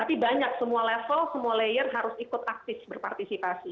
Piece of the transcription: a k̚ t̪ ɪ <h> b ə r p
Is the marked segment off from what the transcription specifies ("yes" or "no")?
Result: yes